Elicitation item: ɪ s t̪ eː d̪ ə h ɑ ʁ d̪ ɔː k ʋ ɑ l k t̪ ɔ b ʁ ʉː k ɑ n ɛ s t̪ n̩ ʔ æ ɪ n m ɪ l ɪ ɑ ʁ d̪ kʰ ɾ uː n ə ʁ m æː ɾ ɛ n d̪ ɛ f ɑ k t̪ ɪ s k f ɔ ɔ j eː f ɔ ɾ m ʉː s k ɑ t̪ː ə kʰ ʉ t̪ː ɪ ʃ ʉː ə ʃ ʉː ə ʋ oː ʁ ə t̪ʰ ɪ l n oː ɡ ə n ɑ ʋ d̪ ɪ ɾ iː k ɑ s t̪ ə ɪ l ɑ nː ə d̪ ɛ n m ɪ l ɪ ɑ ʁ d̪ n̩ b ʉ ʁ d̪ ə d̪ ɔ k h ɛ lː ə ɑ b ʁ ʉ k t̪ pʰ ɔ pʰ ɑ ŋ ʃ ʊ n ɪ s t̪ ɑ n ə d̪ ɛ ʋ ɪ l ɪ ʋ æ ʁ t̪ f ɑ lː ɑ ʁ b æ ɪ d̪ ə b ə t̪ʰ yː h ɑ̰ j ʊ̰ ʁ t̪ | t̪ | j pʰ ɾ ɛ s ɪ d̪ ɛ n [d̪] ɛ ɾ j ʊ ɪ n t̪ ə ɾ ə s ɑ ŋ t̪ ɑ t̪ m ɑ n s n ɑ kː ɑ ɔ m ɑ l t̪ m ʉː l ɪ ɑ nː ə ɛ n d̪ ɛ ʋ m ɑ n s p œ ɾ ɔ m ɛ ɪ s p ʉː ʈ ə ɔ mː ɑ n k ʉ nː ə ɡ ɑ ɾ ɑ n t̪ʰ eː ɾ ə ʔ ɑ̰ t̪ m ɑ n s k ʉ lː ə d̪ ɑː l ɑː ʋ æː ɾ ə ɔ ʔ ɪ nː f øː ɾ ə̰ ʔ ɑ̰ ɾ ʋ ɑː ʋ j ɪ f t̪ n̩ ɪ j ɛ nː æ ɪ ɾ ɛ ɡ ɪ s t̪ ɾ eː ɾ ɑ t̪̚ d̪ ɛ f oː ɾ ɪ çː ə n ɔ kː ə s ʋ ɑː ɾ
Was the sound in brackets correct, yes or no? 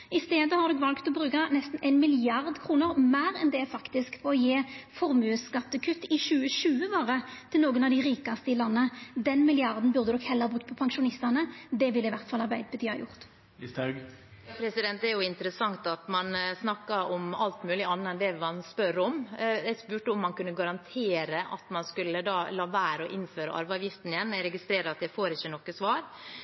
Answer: no